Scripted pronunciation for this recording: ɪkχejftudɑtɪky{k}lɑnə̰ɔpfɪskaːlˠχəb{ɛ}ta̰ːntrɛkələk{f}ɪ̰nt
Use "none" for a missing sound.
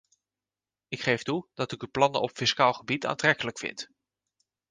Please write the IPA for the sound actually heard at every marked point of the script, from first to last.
p, i, f

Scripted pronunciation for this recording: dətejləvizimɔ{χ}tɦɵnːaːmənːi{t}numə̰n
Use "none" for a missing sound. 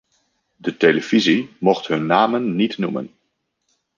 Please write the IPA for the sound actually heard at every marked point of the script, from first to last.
χ, t

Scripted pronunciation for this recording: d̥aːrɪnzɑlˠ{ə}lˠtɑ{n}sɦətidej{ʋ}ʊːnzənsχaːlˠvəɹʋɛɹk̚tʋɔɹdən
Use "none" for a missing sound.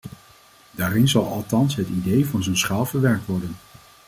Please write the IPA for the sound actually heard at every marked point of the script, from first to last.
ɑ, n, v

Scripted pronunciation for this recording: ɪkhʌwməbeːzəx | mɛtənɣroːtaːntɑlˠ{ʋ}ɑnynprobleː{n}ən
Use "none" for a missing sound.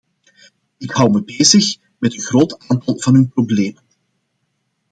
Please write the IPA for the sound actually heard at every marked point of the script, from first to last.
v, m

